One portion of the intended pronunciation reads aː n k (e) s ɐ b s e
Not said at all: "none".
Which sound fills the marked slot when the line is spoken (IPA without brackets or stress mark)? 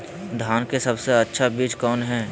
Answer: e